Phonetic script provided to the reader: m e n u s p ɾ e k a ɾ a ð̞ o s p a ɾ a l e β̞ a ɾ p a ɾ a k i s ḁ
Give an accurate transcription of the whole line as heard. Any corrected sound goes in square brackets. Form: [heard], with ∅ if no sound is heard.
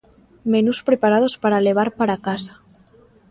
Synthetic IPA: m e n u s p ɾ e [p] a ɾ a ð̞ o s p a ɾ a l e β̞ a ɾ p a ɾ a k [a] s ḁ